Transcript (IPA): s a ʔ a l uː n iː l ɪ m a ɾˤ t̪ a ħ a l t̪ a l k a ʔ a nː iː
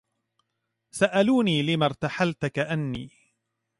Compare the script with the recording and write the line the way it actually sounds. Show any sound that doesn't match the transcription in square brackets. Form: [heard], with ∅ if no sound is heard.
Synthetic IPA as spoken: s a ʔ a l uː n iː l ɪ m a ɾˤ t̪ a ħ a l t̪ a [∅] k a ʔ a nː iː